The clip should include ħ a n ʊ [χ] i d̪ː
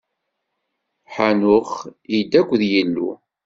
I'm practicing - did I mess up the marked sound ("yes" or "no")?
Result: no